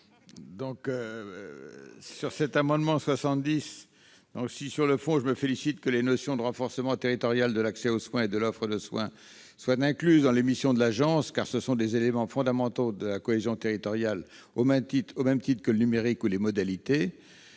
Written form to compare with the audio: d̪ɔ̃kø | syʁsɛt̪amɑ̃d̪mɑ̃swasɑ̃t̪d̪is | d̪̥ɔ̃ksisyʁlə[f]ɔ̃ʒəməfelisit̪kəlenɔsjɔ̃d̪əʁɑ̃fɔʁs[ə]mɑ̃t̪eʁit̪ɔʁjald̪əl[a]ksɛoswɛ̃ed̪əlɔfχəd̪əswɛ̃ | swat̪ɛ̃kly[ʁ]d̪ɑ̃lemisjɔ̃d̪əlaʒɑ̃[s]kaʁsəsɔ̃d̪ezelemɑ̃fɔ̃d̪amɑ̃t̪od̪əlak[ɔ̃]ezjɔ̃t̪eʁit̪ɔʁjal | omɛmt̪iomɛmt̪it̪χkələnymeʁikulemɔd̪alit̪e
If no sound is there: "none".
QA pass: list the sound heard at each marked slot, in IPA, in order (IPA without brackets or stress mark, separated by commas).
f, ə, a, z, s, ɔ